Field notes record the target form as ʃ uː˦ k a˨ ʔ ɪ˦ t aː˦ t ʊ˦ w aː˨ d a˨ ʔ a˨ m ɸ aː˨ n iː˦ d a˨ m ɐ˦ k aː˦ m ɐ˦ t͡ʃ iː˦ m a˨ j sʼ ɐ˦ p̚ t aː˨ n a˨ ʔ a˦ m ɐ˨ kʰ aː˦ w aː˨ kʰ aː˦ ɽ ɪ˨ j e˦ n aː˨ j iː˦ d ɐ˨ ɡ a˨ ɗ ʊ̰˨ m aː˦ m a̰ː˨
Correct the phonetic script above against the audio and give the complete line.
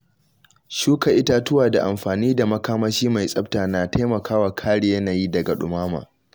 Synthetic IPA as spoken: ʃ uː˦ k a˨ ʔ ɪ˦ t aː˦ t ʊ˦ w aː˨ d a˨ ʔ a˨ m ɸ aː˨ n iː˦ d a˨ m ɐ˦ k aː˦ m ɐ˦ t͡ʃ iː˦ m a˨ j sʼ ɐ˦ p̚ t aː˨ n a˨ t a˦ m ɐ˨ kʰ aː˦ w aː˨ kʰ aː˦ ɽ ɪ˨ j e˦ n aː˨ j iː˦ d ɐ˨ ɡ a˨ ɗ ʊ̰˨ m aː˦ m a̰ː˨